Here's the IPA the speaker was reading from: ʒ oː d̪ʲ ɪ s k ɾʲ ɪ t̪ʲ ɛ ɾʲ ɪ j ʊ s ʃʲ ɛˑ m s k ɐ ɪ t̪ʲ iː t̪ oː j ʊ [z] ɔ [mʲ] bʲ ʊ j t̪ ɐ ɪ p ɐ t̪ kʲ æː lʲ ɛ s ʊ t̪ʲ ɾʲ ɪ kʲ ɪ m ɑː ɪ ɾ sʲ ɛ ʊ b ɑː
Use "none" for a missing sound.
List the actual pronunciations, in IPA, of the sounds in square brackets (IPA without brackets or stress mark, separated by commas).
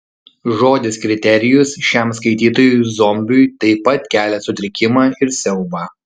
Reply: z, mʲ